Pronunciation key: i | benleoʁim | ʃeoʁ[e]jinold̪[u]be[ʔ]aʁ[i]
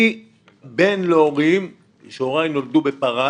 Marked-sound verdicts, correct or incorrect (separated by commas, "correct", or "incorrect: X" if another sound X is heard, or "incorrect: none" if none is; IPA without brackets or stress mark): incorrect: a, correct, incorrect: p, incorrect: a